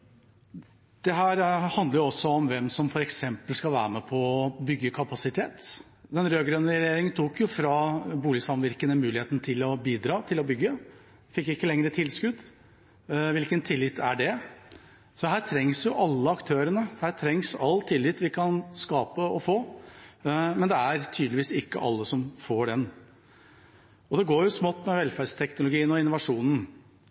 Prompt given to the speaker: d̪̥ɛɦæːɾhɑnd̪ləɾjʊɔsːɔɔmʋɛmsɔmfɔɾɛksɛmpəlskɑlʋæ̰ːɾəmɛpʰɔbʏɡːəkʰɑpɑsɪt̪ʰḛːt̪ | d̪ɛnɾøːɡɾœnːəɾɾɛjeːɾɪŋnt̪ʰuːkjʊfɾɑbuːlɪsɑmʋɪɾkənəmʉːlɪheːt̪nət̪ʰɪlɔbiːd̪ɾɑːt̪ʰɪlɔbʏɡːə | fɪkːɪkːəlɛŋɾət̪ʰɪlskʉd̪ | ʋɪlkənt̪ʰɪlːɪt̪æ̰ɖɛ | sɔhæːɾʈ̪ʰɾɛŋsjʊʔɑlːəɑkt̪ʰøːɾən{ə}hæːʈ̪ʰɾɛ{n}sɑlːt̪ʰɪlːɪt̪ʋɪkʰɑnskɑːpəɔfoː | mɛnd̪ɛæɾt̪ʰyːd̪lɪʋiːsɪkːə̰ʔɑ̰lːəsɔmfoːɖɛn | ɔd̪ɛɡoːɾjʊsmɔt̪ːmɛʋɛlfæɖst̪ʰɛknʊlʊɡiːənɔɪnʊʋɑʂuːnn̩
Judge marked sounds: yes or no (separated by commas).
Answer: yes, no